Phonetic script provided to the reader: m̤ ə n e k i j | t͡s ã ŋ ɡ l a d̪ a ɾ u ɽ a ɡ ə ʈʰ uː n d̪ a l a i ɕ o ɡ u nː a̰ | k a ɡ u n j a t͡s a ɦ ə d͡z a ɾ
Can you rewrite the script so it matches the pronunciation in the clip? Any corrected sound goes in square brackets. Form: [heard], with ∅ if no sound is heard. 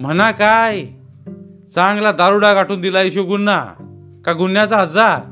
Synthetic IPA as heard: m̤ ə n [a] k [a] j | t͡s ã ŋ ɡ l a d̪ a ɾ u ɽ a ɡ [a] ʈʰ uː n d̪ [i] l a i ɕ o ɡ u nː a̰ | k a ɡ u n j a t͡s a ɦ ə d͡z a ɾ